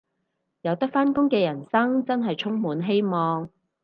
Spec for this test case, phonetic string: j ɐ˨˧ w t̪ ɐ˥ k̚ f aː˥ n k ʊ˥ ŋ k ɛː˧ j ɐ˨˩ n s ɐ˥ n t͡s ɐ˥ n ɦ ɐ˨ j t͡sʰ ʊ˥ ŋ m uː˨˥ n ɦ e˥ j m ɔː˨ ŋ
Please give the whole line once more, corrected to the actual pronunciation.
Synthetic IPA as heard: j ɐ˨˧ w t̪ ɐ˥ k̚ f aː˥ n k ʊ˥ ŋ k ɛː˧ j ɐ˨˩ n s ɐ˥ ŋ t͡s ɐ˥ n ɦ ɐ˨ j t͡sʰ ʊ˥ ŋ m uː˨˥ n ɦ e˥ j m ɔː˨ ŋ

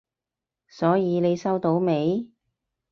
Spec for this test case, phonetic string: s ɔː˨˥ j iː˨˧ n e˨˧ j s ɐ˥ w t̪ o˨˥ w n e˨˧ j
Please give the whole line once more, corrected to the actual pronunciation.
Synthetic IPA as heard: s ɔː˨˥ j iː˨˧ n e˨˧ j s ɐ˥ w t̪ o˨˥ w m e˨˧ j

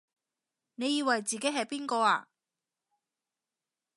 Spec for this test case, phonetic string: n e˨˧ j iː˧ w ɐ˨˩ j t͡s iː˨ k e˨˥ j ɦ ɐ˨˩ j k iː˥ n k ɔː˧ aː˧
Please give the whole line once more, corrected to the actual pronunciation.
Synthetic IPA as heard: n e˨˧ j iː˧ w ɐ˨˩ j t͡s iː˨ k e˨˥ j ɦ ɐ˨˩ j p iː˥ n k ɔː˧ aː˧

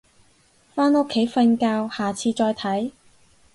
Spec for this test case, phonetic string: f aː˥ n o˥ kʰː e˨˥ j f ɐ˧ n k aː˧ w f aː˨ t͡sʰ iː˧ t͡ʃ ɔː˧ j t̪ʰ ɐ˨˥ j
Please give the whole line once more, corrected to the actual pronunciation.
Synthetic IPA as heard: f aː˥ n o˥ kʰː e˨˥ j f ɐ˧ n k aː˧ w h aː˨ t͡sʰ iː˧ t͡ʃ ɔː˧ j t̪ʰ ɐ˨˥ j

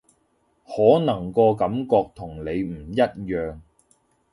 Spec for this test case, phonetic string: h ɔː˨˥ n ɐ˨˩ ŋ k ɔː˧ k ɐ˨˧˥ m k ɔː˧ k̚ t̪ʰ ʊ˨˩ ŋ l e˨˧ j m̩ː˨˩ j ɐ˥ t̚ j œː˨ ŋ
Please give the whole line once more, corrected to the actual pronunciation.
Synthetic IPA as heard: h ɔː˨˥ n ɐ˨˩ ŋ k ɔː˧ k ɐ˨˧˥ m k ɔː˧ k̚ t̪ʰ ʊ˨˩ ŋ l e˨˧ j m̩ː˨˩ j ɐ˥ t̚ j œː˨ ŋ

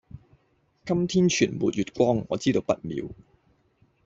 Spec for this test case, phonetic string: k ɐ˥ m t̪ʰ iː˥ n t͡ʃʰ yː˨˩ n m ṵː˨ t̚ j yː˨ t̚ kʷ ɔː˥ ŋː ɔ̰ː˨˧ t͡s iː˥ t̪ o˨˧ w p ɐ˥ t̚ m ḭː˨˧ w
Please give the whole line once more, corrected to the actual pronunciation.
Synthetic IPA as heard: k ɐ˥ m t̪ʰ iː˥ n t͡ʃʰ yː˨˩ n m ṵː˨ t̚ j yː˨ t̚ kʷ ɔː˥ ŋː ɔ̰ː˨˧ t͡s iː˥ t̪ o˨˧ w p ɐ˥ t̚ m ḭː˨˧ w

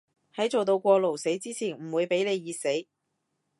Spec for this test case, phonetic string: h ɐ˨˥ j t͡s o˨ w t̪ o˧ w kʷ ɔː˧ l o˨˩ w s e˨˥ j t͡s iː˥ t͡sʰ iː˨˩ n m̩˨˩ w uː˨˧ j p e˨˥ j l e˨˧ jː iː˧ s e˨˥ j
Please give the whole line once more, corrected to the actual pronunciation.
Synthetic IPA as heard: h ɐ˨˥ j t͡s o˨ w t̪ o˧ w kʷ ɔː˧ l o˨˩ w s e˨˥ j t͡s iː˥ t͡sʰ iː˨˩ n m̩˨˩ w uː˨˧ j p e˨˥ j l e˨˧ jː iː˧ s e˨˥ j

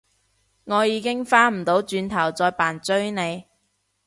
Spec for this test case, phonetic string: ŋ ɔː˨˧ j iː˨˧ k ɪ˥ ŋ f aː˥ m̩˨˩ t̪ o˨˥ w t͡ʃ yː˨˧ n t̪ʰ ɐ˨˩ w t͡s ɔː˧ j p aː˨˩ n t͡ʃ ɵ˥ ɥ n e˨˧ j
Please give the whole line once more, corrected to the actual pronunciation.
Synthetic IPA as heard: ŋ ɔː˨˧ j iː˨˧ k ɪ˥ ŋ f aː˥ m̩˨˩ t̪ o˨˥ w t͡ʃ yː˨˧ n t̪ʰ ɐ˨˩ w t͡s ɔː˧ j p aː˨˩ n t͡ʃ ɵ˥ ɥ n e˨˧ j

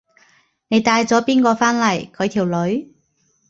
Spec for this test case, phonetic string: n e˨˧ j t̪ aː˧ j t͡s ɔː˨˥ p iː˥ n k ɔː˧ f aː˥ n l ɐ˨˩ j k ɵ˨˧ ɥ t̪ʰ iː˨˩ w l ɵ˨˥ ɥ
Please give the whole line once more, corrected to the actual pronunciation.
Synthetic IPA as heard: n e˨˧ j t̪ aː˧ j t͡s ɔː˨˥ p iː˥ n k ɔː˧ f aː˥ n l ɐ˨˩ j kʰ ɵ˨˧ ɥ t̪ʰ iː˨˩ w l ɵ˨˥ ɥ

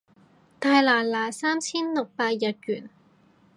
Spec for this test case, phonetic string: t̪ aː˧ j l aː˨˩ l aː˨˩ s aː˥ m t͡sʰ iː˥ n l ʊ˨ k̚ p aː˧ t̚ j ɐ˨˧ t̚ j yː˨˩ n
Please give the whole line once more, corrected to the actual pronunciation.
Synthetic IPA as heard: t̪ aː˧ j l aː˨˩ l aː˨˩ s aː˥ m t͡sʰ iː˥ n l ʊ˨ k̚ p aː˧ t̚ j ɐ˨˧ t̚ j yː˨˩ n

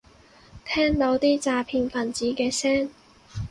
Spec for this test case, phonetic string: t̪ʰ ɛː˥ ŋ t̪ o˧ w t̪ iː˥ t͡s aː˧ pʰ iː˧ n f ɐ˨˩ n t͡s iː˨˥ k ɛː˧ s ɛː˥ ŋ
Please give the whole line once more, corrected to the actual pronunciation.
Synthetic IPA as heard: t̪ʰ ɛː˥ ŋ t̪ o˨˥ w t̪ iː˥ t͡s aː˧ pʰ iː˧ n f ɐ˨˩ n t͡s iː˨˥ k ɛː˧ s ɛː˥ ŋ

